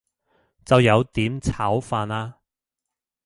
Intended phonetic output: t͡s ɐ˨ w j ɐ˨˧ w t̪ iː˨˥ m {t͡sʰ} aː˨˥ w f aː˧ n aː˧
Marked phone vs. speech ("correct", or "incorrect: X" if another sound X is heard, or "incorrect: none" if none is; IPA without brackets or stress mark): correct